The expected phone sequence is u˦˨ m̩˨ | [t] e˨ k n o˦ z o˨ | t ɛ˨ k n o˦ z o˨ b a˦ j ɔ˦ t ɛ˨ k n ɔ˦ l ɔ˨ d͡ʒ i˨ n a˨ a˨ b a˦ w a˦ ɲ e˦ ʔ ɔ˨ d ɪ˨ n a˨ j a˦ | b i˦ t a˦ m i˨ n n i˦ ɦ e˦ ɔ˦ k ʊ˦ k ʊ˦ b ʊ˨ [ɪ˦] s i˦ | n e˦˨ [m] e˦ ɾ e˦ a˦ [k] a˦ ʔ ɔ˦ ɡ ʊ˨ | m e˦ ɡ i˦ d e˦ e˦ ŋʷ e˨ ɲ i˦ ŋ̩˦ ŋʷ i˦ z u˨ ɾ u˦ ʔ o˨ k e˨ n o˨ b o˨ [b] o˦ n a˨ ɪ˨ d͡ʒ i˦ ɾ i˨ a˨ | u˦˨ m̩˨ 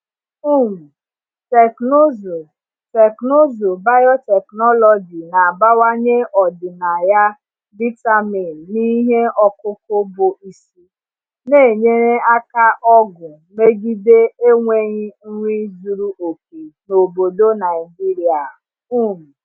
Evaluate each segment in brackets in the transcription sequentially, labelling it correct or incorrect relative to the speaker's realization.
correct, incorrect: i˦, incorrect: ɲ, correct, incorrect: d

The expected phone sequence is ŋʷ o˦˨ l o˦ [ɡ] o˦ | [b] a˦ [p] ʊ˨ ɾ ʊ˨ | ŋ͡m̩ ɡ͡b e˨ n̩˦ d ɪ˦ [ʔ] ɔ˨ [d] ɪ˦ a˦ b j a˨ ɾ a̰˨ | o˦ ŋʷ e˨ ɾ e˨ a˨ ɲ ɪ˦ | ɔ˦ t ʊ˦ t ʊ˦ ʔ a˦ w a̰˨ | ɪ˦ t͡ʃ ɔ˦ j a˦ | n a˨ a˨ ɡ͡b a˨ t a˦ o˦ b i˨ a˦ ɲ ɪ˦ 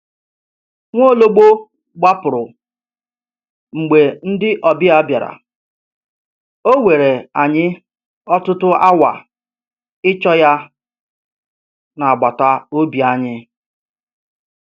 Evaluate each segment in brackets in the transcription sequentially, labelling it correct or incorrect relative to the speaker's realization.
incorrect: ɡ͡b, incorrect: ɡ͡b, correct, correct, incorrect: b

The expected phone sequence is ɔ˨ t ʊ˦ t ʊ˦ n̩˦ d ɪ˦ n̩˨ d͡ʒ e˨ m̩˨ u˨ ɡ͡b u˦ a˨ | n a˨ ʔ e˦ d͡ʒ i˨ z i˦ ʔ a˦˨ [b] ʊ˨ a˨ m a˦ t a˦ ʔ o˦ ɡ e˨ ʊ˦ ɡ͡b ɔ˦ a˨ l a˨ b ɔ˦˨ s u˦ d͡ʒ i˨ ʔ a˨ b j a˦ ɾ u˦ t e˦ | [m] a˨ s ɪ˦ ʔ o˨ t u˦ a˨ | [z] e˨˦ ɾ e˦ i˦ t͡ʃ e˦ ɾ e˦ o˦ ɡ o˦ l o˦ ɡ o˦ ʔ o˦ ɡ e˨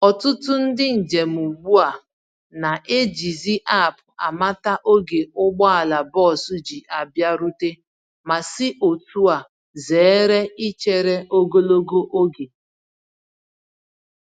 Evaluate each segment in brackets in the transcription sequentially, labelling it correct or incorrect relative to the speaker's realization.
incorrect: p, correct, correct

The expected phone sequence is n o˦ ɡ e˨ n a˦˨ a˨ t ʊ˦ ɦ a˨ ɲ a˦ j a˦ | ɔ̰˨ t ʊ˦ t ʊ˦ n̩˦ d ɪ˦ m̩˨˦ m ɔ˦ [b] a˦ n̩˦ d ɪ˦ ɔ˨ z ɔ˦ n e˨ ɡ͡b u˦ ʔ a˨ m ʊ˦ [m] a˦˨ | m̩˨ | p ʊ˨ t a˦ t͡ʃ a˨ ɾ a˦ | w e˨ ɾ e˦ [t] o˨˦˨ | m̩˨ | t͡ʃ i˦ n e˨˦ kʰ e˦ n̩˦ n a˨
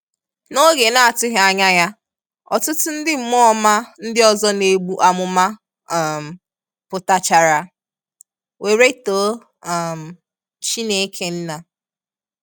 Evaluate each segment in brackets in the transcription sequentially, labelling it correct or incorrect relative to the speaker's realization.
incorrect: m, correct, correct

